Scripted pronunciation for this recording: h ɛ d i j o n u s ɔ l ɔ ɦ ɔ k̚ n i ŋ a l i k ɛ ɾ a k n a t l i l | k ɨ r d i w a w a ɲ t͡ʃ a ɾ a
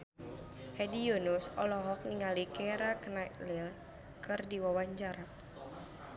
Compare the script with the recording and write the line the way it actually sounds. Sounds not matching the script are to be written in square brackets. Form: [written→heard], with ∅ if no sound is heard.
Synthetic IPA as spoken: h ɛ d i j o n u s ɔ l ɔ ɦ ɔ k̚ n i ŋ a l i k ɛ ɾ a k n a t l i l | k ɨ r d i w a w a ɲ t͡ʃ a ɾ a

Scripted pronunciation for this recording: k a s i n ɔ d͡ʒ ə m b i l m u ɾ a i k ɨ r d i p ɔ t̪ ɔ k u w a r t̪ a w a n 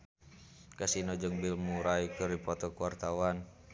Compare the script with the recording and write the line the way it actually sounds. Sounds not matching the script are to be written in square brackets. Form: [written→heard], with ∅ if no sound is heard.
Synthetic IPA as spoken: k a s i n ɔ d͡ʒ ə [m→ŋ] b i l m u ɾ a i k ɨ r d i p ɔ t̪ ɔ k u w a r t̪ a w a n

